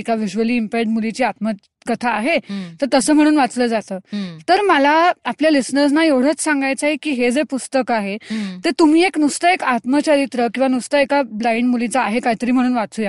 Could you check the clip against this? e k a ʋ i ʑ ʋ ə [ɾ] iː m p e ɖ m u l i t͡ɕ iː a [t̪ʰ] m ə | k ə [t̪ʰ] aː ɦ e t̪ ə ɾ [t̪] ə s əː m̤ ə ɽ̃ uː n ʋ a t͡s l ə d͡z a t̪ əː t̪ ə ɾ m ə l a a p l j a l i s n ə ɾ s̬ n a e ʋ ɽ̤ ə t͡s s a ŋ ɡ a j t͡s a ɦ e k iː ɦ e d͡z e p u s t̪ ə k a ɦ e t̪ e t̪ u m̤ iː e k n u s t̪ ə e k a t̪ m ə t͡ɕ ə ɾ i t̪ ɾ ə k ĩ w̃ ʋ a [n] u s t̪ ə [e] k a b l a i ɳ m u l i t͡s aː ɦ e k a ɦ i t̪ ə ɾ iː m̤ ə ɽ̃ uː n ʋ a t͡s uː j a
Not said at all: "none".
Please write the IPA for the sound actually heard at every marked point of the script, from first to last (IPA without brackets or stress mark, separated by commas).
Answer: l, t̪, t̪ʰ, t̪, n, e